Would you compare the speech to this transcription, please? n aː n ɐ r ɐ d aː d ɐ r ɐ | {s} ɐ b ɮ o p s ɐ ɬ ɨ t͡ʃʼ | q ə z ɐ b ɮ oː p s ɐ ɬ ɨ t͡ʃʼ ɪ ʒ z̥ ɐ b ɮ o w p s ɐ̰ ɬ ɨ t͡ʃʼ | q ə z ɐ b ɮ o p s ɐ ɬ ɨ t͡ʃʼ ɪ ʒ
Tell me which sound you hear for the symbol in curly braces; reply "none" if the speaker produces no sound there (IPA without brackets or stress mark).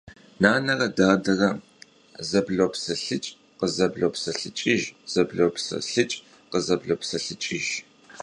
z